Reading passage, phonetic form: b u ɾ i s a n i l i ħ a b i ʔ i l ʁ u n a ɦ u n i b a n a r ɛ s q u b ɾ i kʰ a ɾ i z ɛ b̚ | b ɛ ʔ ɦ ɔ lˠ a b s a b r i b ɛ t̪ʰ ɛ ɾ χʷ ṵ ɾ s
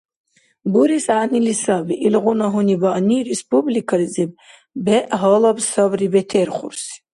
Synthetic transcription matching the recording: b u ɾ i s a n i l i s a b i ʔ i l ʁ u n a ɦ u n i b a n i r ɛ s p u b l i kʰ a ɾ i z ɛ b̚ | b ɛ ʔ ɦ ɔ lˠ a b s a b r i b ɛ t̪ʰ ɛ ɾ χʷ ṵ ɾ s